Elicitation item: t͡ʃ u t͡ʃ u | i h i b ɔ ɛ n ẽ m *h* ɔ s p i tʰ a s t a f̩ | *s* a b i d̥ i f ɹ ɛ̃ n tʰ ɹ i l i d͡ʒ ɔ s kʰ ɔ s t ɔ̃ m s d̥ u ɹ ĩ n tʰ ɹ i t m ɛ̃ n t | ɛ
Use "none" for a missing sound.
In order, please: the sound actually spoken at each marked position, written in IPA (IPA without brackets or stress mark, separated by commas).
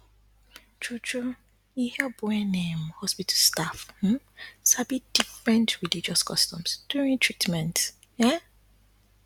h, s